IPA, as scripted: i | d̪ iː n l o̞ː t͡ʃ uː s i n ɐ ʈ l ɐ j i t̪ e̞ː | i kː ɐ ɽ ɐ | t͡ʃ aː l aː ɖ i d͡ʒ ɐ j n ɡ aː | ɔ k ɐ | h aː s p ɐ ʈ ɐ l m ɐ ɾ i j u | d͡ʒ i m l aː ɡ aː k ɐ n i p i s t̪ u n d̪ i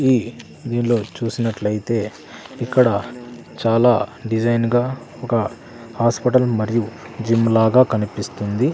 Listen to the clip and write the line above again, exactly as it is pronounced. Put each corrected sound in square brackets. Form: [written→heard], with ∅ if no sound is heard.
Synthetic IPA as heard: i | d̪ iː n l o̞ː t͡ʃ uː s i n ɐ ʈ l ɐ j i t̪ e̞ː | i kː ɐ ɽ ɐ | t͡ʃ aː l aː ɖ i d͡ʒ ɐ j n ɡ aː | ɔ k ɐ | h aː s p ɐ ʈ ɐ l m ɐ ɾ i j u | d͡ʒ i m l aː ɡ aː k ɐ n i p i s t̪ u n d̪ i

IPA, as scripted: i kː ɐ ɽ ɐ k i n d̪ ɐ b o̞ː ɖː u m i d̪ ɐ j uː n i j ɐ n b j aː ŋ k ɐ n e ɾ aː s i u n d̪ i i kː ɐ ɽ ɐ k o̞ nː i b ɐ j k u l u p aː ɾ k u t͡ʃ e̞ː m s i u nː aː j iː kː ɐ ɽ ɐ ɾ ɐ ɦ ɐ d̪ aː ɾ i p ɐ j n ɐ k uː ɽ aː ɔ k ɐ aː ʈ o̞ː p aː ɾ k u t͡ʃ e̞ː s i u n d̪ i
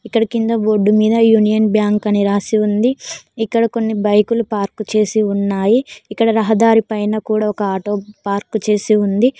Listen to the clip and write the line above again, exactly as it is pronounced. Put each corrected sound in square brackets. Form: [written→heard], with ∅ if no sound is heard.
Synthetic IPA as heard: i kː ɐ ɽ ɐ k i n d̪ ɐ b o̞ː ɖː u m [i→iː] d̪ ɐ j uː n i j ɐ n b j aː ŋ k ɐ n [e→i] ɾ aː s i u n d̪ i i kː ɐ ɽ ɐ k o̞ nː i b ɐ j k u l u p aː ɾ k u t͡ʃ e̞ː [m→∅] s i u nː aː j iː kː ɐ ɽ ɐ ɾ ɐ ɦ ɐ d̪ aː ɾ i p ɐ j n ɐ k uː ɽ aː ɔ k ɐ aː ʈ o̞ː p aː ɾ k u t͡ʃ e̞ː s i u n d̪ i

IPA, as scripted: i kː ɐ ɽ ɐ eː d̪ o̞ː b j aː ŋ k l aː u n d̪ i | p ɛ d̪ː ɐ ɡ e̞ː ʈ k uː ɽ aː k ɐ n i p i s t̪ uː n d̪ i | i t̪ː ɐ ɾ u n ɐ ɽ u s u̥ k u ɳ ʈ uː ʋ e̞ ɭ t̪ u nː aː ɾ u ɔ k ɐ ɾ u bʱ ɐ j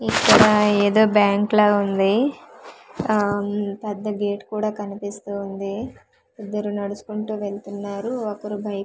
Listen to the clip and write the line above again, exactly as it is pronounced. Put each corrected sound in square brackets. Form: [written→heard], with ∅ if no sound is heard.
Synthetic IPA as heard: i kː ɐ ɽ ɐ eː d̪ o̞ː b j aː ŋ k l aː u n d̪ i | p ɛ d̪ː ɐ ɡ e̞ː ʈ k uː ɽ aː k ɐ n i p i s t̪ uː n d̪ i | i [t̪ː→d̪ː] ɐ ɾ u n ɐ ɽ u s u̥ k u ɳ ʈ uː ʋ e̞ ɭ t̪ u nː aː ɾ u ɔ k ɐ ɾ u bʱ ɐ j

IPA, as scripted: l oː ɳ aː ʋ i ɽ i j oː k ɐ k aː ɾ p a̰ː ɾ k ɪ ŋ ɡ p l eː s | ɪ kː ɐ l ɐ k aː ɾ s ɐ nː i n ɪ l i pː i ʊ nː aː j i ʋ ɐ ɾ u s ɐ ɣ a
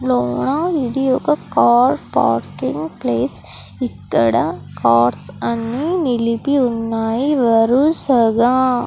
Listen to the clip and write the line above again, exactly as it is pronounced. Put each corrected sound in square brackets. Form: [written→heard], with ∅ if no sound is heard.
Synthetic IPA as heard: l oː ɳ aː ʋ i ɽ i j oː k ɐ k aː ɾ p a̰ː ɾ k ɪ ŋ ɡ p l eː s | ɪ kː ɐ [l→ɽ] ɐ k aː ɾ s ɐ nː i n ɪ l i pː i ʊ nː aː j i ʋ ɐ ɾ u s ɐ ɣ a

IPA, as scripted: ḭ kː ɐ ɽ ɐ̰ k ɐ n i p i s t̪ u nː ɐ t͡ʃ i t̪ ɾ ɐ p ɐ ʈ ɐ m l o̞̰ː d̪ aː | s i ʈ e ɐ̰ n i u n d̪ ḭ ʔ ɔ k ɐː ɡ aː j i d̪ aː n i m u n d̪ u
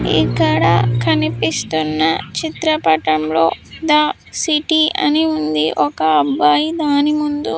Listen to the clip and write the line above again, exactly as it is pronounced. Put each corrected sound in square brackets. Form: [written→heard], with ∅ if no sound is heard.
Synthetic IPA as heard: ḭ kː ɐ ɽ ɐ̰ k ɐ n i p i s t̪ u nː ɐ t͡ʃ i t̪ ɾ ɐ p ɐ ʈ ɐ m l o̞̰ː d̪ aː | s i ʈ [e→i] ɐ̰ n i u n d̪ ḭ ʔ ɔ k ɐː [ɡ→b] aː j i d̪ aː n i m u n d̪ u

